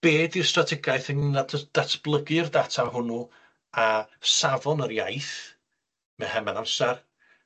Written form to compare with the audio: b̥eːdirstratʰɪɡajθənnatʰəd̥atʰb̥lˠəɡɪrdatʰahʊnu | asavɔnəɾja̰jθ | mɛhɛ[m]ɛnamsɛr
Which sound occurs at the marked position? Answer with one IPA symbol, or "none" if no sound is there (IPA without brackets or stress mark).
m